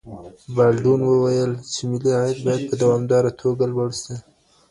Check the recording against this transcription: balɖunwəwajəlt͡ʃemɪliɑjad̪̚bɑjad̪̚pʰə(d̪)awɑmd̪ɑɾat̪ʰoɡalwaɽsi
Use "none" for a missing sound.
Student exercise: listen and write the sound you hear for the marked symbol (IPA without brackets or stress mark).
d̪